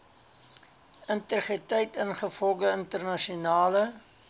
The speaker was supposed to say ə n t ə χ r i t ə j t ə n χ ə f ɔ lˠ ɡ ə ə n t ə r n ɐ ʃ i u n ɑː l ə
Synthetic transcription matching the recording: ə n t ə χ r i t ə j t ə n χ ə f ɔ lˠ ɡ ə ə n t ə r n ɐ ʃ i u n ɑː l ə